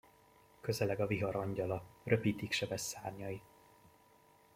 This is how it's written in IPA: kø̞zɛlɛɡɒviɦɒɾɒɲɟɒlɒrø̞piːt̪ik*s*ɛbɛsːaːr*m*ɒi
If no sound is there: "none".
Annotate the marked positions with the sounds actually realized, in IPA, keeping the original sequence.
ʃ, ɲ

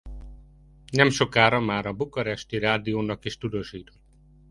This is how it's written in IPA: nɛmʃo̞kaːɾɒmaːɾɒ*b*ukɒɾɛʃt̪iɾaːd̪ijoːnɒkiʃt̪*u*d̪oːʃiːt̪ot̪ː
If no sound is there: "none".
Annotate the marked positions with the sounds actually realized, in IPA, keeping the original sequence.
b, u

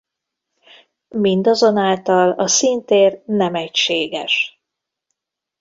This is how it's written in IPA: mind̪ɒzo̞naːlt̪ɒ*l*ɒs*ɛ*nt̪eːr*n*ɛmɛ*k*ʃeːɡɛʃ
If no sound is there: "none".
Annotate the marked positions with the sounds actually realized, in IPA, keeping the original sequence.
l, i, n, c

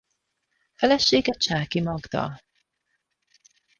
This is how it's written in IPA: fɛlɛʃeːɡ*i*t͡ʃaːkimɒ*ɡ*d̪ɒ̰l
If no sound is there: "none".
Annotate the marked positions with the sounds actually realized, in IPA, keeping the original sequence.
ɛ, ɡ

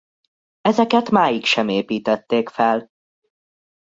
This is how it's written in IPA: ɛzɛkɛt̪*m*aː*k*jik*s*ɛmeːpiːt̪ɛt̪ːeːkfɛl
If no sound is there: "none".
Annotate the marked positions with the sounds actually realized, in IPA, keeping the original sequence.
m, none, ʃ

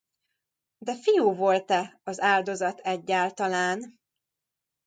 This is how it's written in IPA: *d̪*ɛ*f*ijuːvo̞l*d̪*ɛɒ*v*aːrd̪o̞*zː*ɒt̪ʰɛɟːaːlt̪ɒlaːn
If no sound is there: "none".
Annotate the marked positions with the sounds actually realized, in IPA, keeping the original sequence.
d̪, f, t̪, z, z

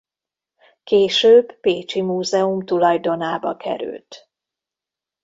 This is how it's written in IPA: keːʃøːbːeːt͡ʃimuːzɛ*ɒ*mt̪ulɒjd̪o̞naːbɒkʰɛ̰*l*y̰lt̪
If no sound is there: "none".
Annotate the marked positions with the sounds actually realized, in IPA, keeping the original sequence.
u, ɾ

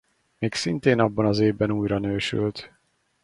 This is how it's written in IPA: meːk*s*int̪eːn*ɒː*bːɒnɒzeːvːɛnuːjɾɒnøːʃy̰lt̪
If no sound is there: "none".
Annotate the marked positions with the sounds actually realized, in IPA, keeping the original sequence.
s, ɒ

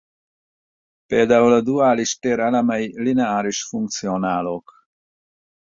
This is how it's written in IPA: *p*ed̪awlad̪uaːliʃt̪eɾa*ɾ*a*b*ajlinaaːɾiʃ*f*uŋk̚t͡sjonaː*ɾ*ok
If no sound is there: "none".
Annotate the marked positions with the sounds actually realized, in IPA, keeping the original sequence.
p, l, m, f, l

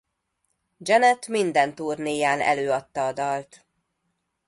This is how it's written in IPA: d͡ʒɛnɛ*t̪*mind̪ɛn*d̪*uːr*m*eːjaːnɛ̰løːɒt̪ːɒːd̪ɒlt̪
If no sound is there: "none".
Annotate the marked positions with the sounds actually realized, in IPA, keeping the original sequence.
t̪, t̪, n

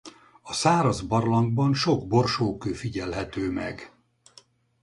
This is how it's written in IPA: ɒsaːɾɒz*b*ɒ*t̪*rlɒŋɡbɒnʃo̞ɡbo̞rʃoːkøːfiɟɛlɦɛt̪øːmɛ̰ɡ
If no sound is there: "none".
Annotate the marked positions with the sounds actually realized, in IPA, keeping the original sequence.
b, none

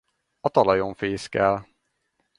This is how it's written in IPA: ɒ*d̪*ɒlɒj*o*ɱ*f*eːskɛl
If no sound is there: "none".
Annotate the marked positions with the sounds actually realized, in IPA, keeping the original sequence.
t̪, o, f

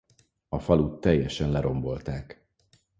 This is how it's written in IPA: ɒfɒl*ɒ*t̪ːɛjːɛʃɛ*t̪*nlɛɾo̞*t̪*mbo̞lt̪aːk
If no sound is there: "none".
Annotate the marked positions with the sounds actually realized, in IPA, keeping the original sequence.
u, none, none

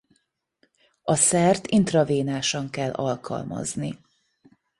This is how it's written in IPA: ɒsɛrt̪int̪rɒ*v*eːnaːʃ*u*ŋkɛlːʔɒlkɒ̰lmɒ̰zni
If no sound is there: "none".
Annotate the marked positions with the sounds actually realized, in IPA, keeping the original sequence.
v, ɒ

